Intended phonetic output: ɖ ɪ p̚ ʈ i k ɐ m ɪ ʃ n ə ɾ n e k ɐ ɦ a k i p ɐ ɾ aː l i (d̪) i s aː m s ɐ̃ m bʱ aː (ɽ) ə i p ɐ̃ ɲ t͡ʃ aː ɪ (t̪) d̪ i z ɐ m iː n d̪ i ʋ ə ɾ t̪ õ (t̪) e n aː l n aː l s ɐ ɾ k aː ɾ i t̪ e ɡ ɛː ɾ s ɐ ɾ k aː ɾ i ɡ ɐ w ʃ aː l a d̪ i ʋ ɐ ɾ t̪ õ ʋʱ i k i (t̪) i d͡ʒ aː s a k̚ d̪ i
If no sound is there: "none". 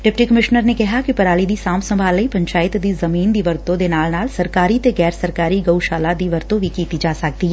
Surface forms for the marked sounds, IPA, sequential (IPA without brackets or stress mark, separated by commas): d̪, l, t̪, d̪, t̪